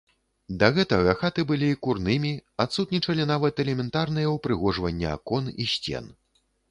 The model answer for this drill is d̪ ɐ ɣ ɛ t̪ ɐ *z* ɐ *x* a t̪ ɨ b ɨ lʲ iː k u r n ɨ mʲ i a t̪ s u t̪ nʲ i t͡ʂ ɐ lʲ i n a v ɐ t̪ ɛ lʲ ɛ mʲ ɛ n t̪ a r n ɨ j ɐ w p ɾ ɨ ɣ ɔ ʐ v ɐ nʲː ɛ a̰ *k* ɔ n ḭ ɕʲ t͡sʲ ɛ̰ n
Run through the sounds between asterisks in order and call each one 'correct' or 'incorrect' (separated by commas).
incorrect, correct, correct